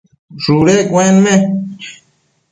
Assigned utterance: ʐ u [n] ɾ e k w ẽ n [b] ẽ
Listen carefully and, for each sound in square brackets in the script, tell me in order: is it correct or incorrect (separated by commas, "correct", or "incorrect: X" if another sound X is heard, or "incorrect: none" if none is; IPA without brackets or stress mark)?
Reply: incorrect: none, incorrect: m